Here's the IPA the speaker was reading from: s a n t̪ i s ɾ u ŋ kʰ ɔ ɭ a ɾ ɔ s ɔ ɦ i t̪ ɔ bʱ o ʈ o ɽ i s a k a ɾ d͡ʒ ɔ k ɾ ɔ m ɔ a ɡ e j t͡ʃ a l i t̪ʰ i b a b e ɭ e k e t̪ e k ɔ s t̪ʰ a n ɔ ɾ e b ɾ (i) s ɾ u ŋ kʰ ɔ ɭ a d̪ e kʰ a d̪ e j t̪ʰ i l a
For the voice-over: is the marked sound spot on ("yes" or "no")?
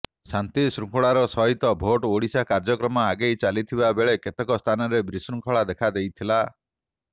yes